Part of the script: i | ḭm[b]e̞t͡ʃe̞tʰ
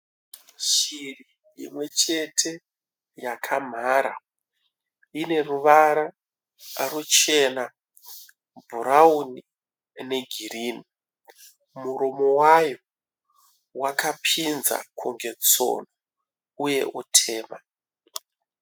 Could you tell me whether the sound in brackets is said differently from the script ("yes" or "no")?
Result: yes